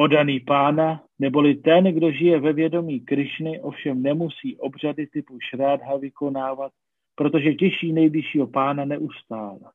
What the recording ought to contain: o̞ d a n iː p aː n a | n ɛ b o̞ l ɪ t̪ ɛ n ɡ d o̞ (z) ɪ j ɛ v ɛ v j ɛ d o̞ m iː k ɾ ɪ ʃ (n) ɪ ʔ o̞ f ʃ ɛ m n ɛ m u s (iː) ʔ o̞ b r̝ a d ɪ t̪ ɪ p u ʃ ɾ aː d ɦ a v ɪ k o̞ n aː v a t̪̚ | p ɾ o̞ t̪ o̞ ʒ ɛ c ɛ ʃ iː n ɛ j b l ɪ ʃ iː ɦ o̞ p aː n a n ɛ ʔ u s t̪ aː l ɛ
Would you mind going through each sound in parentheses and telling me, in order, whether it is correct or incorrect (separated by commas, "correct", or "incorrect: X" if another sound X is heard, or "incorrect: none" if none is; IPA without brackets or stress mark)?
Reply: incorrect: ʒ, correct, correct